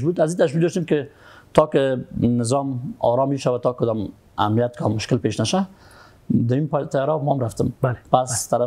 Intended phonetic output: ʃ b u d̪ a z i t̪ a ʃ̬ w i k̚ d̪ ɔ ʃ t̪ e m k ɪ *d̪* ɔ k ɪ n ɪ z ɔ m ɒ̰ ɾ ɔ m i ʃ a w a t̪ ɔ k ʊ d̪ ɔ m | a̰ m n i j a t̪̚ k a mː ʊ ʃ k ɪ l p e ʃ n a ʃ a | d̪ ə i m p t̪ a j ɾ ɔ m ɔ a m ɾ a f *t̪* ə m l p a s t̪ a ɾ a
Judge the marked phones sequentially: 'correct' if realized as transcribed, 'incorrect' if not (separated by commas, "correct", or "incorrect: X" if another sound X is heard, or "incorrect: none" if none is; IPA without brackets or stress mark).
incorrect: t̪, correct